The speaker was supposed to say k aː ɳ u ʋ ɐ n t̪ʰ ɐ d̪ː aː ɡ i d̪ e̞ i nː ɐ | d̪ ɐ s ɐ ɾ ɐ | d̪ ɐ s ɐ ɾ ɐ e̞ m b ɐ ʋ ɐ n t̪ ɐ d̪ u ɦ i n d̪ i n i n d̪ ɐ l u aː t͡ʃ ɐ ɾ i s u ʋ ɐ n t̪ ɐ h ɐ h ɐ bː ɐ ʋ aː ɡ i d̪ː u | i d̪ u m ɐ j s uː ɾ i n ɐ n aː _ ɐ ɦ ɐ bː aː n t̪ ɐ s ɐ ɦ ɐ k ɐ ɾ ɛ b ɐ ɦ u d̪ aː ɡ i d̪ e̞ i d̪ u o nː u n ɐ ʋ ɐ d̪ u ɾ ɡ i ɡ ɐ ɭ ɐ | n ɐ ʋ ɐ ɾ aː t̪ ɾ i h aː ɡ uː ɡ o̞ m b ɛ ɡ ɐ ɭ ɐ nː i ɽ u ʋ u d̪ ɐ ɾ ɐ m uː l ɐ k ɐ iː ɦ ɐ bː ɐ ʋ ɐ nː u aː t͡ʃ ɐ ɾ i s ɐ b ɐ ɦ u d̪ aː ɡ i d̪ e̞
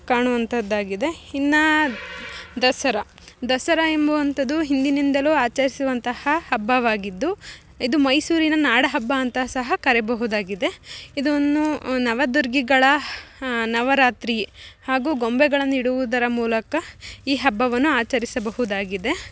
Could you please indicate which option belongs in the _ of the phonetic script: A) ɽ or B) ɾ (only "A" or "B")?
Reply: A